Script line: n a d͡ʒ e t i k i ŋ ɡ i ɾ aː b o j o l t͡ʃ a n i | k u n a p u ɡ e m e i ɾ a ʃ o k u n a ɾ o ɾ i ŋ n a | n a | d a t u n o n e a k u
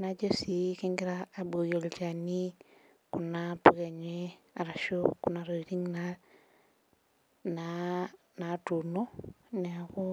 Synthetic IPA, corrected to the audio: n a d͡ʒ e s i k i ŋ ɡ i ɾ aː b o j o l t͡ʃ a n i | k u n a p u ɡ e ɲ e a ɾ a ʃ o k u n a ɾ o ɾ i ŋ n a | n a | n a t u n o n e a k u